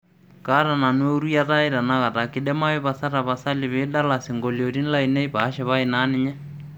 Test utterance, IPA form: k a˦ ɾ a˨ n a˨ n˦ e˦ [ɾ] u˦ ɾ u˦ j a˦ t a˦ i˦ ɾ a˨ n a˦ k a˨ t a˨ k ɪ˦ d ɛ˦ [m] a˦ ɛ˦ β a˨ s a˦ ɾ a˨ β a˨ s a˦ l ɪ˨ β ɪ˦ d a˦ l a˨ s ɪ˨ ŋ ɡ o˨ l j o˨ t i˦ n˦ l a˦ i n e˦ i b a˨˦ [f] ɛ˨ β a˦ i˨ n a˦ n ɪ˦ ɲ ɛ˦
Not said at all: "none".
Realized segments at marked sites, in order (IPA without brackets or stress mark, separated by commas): none, m, ʃ